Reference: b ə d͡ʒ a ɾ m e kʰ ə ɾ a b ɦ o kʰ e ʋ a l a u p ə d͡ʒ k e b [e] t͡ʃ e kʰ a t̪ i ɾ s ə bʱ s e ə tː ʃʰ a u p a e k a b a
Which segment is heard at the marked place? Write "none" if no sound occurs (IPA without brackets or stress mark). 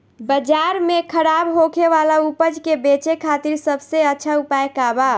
e